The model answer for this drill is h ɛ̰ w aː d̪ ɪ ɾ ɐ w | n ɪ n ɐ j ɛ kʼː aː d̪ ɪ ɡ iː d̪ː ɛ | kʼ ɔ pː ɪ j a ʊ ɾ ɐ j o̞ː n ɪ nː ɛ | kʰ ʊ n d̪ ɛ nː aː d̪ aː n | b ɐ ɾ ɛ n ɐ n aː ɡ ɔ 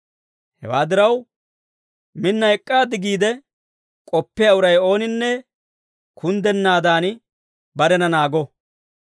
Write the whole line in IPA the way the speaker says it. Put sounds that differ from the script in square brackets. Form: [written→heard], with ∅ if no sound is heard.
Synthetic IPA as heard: h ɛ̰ w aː d̪ ɪ ɾ ɐ w | [n→m] ɪ [n→nː] ɐ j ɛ kʼː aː d̪ ɪ ɡ iː [d̪ː→d̪] ɛ | kʼ ɔ pː ɪ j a ʊ ɾ ɐ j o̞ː n ɪ nː ɛ | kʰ ʊ n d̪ ɛ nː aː d̪ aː n | b ɐ ɾ ɛ n ɐ n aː ɡ ɔ